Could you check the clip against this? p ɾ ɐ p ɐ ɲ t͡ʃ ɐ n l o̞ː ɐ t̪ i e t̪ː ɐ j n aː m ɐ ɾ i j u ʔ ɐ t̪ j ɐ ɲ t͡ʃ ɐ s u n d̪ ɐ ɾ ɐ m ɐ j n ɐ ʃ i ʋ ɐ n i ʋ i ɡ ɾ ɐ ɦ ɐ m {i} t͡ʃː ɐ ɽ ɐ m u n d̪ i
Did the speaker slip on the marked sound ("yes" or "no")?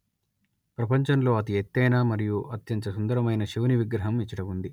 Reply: no